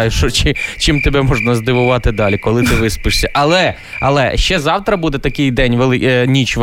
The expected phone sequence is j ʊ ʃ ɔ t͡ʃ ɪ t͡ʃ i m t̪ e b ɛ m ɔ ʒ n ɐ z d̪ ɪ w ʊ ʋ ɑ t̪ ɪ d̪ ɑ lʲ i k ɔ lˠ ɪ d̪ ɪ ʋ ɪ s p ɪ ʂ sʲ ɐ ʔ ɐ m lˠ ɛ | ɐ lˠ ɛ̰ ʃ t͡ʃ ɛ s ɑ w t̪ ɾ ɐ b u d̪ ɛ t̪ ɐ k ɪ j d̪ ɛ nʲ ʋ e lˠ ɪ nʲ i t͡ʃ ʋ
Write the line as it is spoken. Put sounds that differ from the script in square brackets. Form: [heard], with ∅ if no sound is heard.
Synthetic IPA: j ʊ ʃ ɔ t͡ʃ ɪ t͡ʃ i m t̪ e b ɛ m ɔ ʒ n ɐ z d̪ ɪ [ʋ] ʊ ʋ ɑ t̪ ɪ d̪ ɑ lʲ i k ɔ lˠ ɪ [t̪] ɪ ʋ ɪ s p ɪ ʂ sʲ ɐ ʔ ɐ [∅] lˠ ɛ | ɐ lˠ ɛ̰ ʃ t͡ʃ ɛ [z] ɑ w t̪ ɾ ɐ b u d̪ ɛ t̪ ɐ k ɪ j d̪ ɛ nʲ ʋ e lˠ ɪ nʲ i t͡ʃ ʋ